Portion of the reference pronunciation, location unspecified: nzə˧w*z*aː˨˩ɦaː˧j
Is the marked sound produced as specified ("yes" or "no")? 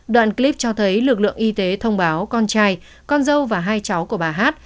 no